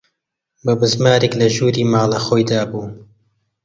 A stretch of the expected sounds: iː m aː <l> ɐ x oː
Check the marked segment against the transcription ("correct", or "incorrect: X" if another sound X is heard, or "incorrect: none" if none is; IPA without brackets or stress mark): correct